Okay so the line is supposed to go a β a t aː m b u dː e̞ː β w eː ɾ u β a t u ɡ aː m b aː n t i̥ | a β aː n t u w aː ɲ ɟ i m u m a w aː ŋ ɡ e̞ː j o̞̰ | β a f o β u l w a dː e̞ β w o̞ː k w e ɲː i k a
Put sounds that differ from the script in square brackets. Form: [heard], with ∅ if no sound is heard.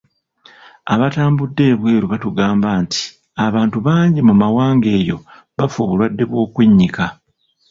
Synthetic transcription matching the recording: a β a t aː m b u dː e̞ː β w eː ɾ u β a t u ɡ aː m b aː n t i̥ | a β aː n t u [β] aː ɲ ɟ i m u m a w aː ŋ ɡ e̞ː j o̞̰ | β a f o β u l w a dː e̞ β w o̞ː k w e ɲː i k a

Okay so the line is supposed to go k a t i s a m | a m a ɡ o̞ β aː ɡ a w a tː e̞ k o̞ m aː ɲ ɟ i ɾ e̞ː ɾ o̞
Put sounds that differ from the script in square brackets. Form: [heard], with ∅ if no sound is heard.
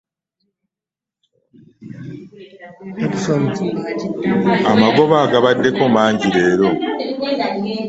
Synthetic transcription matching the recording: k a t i s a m | a m a ɡ o̞ β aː ɡ a [β] a [dː] e̞ k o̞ m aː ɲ ɟ i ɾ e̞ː ɾ o̞

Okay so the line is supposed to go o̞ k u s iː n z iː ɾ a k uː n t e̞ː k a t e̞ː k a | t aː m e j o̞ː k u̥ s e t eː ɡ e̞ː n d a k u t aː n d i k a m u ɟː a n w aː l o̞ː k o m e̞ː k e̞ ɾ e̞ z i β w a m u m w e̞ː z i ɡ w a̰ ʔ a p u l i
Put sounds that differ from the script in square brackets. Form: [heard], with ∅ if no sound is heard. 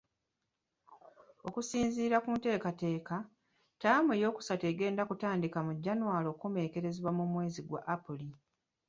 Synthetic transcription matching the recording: o̞ k u s iː n z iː ɾ a k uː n t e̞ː k a t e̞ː k a | t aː m e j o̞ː k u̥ s [a] t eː ɡ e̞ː n d a k u t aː n d i k a m u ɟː a n w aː l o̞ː k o m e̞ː k e̞ ɾ e̞ z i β w a m u m w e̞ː z i ɡ w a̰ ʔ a p u l i

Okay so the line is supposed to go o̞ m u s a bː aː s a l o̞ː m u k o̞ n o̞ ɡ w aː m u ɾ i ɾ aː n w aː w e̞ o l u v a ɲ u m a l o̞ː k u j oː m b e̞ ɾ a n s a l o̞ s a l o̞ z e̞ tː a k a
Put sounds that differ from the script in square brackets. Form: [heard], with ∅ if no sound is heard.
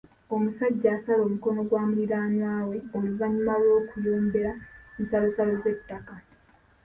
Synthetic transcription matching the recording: o̞ m u s a [ɟː] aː s a l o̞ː m u k o̞ n o̞ ɡ w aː m u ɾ i ɾ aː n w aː w e̞ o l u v a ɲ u m a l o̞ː k u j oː m b e̞ ɾ a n s a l o̞ s a l o̞ z e̞ tː a k a

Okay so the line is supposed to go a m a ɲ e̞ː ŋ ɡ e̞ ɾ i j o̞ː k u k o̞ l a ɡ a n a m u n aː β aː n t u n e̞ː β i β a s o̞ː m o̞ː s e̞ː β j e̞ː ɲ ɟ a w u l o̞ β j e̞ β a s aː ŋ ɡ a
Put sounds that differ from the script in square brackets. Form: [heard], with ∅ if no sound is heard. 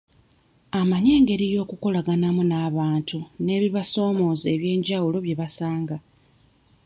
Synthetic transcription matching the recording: a m a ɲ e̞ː ŋ ɡ e̞ ɾ i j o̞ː k u k o̞ l a ɡ a n a m u n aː β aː n t u n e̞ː β i β a s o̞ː m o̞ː [z] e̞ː β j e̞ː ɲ ɟ a w u l o̞ β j e̞ β a s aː ŋ ɡ a

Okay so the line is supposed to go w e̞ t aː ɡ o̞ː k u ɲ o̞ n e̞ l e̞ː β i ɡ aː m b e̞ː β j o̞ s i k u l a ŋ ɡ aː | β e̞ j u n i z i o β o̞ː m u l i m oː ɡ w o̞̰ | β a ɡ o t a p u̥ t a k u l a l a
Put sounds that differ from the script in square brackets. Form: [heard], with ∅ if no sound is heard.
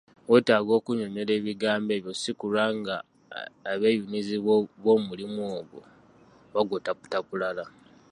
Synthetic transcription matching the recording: w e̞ t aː ɡ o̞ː k u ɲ o̞ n e̞ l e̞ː β i ɡ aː m b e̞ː β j o̞ s i k u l a ŋ ɡ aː | β e̞ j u n i z i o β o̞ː m u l i m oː ɡ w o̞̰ | β a ɡ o t a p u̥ t a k u l a l a

